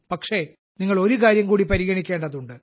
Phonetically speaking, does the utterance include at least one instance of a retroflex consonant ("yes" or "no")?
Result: yes